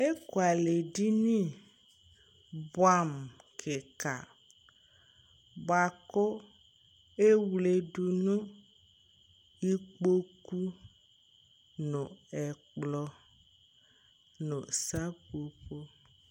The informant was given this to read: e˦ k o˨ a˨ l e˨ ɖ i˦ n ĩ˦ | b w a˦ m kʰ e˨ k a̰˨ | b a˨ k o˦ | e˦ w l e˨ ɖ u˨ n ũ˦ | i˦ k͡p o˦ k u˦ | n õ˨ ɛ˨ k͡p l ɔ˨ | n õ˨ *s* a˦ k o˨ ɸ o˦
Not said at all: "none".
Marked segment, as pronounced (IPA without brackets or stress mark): s